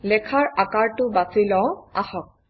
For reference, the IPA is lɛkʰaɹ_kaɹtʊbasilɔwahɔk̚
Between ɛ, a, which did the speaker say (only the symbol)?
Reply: a